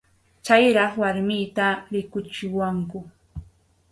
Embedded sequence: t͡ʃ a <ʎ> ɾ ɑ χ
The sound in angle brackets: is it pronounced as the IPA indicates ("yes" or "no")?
no